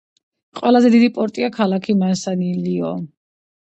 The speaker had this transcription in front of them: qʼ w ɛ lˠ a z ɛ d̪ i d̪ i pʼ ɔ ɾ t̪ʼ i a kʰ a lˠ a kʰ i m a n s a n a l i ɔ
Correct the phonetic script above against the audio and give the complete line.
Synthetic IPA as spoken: qʼ w ɛ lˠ a z ɛ d̪ i d̪ i pʼ ɔ ɾ t̪ʼ i a kʰ a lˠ a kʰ i m a n s a n i l i ɔ